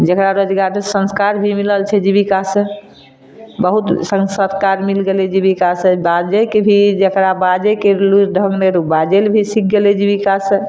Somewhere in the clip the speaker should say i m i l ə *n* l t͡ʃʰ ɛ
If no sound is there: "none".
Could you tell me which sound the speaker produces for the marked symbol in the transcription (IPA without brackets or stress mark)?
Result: none